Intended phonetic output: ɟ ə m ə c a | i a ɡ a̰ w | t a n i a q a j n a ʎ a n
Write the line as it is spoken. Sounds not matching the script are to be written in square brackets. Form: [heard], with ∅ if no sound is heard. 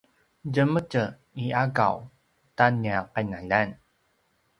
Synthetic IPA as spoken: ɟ ə m ə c [ə] | i a ɡ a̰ w | t a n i a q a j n a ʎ a n